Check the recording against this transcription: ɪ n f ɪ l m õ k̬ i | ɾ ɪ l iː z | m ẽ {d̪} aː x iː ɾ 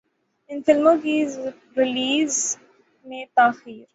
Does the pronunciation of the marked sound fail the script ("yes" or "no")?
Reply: yes